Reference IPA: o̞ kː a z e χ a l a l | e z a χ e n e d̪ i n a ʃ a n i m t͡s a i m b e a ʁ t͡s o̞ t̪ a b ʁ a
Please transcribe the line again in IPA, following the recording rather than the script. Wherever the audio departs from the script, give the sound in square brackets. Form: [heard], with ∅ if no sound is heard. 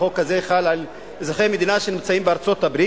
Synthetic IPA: o̞ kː a z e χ a l a l | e z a χ e [m] e d̪ i n a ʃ [e] n i m t͡s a i m b e a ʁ t͡s o̞ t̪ a b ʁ [i]

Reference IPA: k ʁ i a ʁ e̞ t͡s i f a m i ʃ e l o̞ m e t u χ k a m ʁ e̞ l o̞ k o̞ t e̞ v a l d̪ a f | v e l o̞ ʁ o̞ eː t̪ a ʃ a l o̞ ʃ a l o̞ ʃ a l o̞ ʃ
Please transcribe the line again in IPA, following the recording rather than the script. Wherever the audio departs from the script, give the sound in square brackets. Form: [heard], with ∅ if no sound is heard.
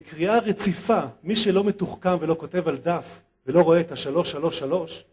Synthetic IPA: k ʁ i a ʁ e̞ t͡s i f a m i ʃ e l o̞ m e t u χ k a m [v] e̞ l o̞ k o̞ t e̞ v a l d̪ a f | v e l o̞ ʁ o̞ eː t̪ a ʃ a l o̞ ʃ a l o̞ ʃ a l o̞ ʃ

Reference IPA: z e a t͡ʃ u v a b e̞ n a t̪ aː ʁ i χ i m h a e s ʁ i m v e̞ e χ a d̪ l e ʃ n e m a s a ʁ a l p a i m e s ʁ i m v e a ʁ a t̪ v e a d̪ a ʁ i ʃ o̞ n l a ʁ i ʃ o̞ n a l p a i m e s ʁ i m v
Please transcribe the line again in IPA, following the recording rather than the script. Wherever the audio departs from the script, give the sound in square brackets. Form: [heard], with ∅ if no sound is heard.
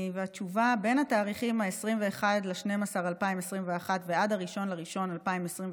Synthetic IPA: [v] e a t͡ʃ u v a b e̞ n a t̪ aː ʁ i χ i m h a e s ʁ i m v e̞ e χ a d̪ l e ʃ n e m a s a ʁ a l p a i m e s ʁ i m v e a [χ] a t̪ v e a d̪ a ʁ i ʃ o̞ n l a ʁ i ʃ o̞ n a l p a i m e s ʁ i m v

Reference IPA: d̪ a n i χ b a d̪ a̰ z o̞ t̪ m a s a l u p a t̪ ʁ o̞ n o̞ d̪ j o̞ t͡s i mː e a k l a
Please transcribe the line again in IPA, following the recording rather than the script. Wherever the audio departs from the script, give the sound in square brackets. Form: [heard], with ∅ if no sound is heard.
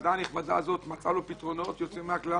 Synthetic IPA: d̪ a n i χ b a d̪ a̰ z o̞ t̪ m a [t͡s] a l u p [i] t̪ ʁ o̞ n o̞ [t̪] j o̞ t͡s i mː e a k l a

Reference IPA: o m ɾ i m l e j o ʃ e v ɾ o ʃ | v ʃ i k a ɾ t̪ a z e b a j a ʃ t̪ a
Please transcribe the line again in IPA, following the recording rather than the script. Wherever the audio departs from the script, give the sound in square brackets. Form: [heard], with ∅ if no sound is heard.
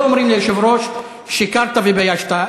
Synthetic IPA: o m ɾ i m l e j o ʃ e v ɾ o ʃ | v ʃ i k a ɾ t̪ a [v] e b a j a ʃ t̪ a

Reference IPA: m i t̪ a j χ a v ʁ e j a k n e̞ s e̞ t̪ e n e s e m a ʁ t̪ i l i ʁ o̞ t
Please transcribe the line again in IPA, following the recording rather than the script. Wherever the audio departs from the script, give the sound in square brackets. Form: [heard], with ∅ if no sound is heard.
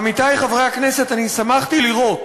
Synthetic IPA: m i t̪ a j χ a v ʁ e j a k n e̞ s e̞ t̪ [a] n [i] s [a] m a [χ] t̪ i l i ʁ o̞ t

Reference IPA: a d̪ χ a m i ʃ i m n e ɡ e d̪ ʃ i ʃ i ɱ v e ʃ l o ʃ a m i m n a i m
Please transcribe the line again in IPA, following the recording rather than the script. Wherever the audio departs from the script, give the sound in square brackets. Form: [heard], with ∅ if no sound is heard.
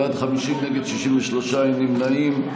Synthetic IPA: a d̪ χ a m i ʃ i m n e ɡ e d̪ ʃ i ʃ i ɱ v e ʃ l o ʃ a [n] i m n a i m

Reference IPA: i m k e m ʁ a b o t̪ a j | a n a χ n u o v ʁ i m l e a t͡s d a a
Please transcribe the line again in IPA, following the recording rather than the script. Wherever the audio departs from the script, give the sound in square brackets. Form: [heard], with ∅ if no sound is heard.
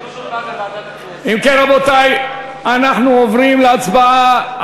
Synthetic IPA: i m k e [n] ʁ a b o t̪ a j | a n a χ n u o v ʁ i m l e a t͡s [b] a a

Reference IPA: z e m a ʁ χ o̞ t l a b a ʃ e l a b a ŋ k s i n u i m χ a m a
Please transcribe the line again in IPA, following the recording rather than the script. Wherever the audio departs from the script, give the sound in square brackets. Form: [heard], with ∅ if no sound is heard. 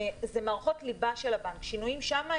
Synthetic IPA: z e m a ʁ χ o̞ t l [i] b a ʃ e l a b a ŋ k [ʃ] i n u i m [ʃ] a m a

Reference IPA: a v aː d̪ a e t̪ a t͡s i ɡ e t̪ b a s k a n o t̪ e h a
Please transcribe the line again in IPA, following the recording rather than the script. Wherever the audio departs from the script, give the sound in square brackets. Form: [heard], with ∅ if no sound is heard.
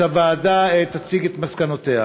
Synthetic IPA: a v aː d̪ a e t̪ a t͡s i ɡ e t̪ [m] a s k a n o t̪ e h a

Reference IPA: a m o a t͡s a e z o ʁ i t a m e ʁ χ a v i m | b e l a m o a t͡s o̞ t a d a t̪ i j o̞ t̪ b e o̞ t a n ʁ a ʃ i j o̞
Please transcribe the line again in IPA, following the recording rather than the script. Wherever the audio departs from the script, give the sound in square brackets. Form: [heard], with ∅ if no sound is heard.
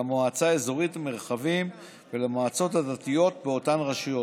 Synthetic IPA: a m o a t͡s a e z o ʁ i t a m e ʁ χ a v i m | [v] e l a m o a t͡s o̞ t a d a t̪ i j o̞ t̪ b e o̞ t a n ʁ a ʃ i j o̞

